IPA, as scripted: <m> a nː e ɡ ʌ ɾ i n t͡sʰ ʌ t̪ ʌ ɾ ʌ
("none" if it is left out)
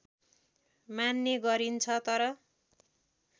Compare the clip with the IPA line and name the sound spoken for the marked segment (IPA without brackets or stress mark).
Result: m